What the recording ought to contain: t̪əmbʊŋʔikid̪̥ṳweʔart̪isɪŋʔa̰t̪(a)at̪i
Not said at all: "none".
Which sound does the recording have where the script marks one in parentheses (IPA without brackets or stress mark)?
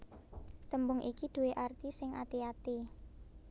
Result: i